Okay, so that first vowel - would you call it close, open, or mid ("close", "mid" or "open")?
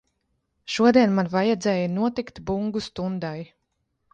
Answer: close